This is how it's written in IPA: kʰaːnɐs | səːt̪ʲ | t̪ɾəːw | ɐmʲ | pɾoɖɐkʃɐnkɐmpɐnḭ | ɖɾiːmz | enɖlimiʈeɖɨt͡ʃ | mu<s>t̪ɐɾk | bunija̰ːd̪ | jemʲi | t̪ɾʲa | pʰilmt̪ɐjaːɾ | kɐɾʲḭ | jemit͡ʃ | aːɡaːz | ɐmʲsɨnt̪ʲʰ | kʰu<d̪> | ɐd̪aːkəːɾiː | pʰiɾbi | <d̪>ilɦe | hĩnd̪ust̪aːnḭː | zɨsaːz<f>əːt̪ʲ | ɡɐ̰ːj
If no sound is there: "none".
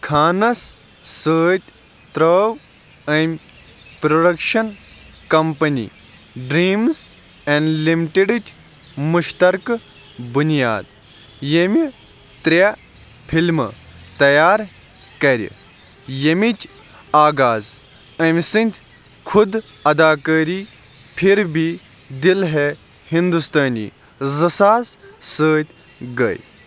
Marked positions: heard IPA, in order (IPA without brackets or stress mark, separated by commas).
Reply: ʃ, d̪, d̪, s